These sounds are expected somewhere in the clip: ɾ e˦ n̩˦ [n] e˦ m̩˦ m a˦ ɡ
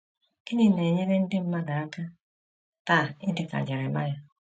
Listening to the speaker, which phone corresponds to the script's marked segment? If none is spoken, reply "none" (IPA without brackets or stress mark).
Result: d